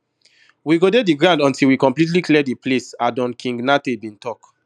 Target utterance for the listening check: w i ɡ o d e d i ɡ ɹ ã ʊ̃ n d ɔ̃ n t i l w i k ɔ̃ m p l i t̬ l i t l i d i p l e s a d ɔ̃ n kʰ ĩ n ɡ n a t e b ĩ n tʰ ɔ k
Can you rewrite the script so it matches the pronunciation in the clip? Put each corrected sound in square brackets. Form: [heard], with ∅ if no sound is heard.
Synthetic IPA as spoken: w i ɡ o d e d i ɡ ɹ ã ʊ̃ n d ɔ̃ n t i l w i k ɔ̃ m p l i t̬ l i [k] l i d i p l e s a d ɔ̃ n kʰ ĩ [ŋ] ɡ n a t e b ĩ n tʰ ɔ k